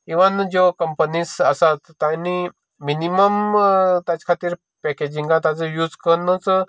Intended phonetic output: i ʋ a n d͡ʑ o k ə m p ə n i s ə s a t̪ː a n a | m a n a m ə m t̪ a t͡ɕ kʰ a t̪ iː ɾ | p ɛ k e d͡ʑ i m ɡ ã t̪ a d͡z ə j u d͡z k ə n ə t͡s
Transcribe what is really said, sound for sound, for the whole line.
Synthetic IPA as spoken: i ʋ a n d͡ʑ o k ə m p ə n i s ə s a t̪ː a n i | m i n i m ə m t̪ a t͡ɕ kʰ a t̪ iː ɾ | p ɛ k e d͡ʑ i ŋ ɡ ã t̪ a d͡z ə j u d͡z k ə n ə t͡s